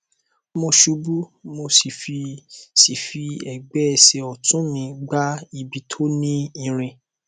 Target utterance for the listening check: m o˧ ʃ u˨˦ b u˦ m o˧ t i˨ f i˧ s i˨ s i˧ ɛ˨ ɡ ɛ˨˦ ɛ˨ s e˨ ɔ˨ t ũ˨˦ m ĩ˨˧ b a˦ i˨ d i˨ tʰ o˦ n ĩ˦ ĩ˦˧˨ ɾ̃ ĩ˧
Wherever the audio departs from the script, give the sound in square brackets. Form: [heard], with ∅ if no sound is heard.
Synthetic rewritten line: m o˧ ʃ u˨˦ b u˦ m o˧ [s] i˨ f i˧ s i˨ [f] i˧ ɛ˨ [ɡ͡b] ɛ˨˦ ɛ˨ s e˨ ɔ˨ t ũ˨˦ m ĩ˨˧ [ɡ͡b] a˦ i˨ [b] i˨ tʰ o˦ n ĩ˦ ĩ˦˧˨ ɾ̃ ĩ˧